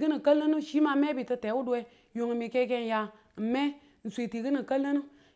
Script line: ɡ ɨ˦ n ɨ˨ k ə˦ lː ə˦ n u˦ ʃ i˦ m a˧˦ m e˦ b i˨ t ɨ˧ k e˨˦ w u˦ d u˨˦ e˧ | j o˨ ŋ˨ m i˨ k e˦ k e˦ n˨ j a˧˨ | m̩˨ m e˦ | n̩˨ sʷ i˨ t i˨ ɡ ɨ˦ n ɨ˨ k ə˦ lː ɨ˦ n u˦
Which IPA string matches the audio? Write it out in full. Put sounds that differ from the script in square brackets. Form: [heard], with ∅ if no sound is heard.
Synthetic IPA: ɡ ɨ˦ n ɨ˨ k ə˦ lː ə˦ n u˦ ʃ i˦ m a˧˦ m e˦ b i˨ t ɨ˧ [t] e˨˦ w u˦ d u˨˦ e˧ | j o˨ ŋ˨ m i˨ k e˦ k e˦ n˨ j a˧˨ | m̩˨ m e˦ | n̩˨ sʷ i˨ t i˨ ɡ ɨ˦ n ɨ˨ k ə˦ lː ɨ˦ n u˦